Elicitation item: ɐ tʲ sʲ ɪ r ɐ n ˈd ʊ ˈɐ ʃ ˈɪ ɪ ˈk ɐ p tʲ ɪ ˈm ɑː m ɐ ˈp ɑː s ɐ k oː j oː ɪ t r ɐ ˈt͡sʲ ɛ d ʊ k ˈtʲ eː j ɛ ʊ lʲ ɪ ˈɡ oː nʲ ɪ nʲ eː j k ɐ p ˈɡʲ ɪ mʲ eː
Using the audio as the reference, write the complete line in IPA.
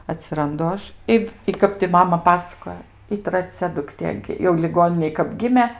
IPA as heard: ɐ tʲ sʲ ɪ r ɐ n ˈd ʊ ˈɐ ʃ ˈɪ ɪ ˈk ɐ p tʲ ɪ ˈm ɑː m ɐ ˈp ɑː s ɐ k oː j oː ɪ t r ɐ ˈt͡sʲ ɛ d ʊ k ˈtʲ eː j ɛ ʊ lʲ ɪ ˈɡ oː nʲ ɪ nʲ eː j k ɐ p ˈɡʲ ɪ mʲ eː